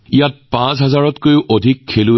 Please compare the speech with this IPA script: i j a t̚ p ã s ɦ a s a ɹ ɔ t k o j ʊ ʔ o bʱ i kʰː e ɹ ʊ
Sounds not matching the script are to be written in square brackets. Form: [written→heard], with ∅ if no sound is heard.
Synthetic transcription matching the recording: i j a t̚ p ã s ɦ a [s→z] a ɹ ɔ t k o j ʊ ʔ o [bʱ→dʱ] i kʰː e [ɹ→l] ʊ